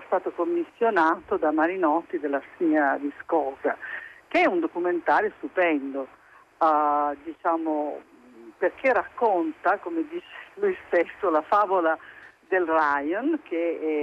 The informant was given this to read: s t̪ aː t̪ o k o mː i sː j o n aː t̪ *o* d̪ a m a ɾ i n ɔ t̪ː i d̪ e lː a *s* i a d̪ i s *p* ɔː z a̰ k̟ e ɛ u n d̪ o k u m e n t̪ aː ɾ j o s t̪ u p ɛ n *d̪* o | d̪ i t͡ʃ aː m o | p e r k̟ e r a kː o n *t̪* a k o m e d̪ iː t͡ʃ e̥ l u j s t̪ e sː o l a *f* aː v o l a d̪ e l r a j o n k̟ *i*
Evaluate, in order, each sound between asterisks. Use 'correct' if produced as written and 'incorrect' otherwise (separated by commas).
correct, correct, incorrect, correct, correct, correct, incorrect